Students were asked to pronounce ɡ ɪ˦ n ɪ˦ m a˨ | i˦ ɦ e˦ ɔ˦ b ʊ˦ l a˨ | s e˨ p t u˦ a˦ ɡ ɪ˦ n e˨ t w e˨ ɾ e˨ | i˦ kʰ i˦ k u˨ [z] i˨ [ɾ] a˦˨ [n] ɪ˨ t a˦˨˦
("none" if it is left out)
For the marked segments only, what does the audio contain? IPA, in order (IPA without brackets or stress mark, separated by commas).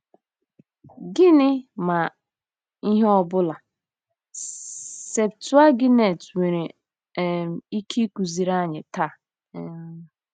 z, ɾ, ɲ